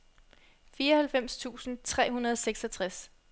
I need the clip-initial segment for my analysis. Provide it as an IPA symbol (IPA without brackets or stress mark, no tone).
f